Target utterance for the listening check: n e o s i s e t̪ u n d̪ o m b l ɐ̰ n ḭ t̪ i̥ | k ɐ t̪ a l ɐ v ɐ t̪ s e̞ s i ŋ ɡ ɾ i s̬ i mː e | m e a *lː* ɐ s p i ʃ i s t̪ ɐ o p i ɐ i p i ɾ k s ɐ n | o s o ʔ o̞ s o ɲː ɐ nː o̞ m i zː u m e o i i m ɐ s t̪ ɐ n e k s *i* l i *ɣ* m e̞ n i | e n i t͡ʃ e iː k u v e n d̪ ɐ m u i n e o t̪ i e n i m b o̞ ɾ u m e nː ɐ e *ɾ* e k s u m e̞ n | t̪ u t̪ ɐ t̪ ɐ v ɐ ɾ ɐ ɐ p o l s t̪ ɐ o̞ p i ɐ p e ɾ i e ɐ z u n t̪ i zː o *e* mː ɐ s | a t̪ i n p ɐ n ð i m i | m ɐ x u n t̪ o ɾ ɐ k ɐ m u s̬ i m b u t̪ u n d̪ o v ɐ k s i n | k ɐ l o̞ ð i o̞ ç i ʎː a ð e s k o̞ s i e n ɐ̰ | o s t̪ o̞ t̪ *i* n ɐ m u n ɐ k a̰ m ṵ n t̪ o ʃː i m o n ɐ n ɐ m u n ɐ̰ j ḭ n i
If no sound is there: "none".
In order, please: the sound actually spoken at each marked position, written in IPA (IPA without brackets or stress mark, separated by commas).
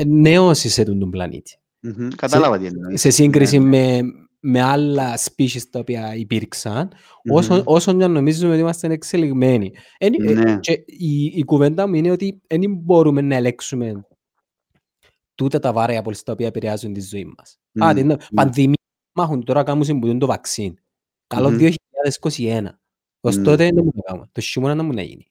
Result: lː, e, ɣ, l, i, e